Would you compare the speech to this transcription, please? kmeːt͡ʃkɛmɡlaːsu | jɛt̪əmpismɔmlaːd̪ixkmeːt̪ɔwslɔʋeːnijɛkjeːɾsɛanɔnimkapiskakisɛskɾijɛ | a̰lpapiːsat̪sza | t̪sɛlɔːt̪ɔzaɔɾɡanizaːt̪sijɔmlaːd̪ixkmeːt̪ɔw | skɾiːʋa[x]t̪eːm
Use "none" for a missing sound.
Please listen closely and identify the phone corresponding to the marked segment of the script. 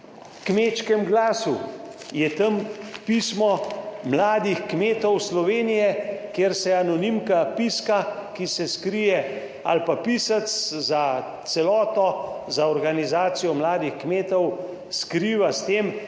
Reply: s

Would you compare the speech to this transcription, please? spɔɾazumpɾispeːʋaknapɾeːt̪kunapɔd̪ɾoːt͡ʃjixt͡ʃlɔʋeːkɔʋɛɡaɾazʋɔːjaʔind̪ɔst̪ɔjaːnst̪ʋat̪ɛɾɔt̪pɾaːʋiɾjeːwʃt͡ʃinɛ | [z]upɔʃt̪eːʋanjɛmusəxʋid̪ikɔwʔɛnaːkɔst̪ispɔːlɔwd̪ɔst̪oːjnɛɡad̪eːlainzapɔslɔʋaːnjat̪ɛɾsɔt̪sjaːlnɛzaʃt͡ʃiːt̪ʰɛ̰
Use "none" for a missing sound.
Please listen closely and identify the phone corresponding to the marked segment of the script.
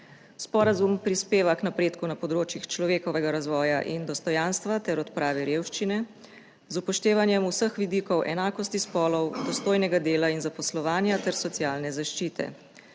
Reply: z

